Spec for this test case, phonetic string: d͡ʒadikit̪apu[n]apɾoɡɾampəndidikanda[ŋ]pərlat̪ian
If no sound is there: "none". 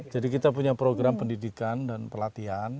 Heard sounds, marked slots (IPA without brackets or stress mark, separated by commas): ɲ, n